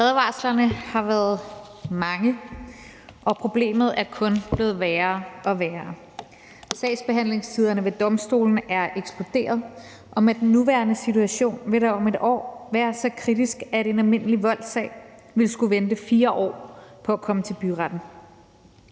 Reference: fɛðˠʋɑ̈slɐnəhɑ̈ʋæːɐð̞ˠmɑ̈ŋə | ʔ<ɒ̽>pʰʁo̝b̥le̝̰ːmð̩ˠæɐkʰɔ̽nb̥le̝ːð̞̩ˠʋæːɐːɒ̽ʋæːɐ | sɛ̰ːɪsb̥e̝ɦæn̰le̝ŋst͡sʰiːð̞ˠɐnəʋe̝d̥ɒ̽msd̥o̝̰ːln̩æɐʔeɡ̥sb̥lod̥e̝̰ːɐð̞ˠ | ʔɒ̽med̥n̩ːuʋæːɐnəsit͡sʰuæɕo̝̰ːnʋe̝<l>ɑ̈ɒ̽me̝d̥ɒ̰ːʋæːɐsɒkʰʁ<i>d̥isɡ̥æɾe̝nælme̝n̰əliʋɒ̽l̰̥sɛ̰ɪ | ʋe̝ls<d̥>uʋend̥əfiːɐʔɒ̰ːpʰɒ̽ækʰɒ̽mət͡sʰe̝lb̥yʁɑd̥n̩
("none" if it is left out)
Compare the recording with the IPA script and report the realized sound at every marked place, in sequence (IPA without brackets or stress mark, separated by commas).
ɒ̽, ɾ, i, ɡ̥